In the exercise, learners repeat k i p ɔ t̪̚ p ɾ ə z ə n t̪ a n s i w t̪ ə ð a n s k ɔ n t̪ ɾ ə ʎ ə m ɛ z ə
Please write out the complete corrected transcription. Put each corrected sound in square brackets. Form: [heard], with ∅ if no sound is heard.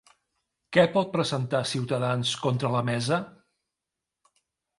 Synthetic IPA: k [ɛ] p ɔ t̪̚ p ɾ ə z ə n t̪ a [∅] s i w t̪ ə ð a n s k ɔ n t̪ ɾ ə [l] ə m ɛ z ə

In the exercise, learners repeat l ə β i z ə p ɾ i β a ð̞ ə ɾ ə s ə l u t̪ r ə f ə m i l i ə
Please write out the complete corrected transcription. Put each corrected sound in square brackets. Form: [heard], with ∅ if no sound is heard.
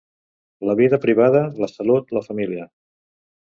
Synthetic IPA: l ə β i [ð] ə p ɾ i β a ð̞ ə [l] ə s ə l u t̪ [l] ə f ə m i l i ə

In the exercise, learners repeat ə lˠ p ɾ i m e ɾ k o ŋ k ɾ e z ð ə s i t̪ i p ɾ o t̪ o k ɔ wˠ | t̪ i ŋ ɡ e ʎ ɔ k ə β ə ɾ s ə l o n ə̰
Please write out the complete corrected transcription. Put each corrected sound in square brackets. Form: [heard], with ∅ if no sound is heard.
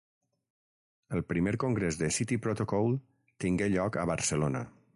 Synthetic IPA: ə lˠ p ɾ i m e ɾ k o ŋ [ɡ] ɾ e z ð ə s i t̪ i p ɾ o t̪ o k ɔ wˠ | t̪ i ŋ ɡ e ʎ ɔ k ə β ə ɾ s ə l o n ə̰

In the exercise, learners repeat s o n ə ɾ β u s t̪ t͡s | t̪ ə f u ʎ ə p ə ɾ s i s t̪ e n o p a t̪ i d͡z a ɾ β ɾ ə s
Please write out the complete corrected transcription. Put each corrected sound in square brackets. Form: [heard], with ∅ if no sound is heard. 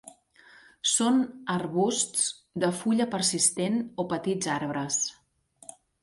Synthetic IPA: s o n ə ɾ β u s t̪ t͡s | [d̪] ə f u ʎ ə p ə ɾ s i s t̪ e n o p [ə] t̪ i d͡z a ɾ β ɾ ə s

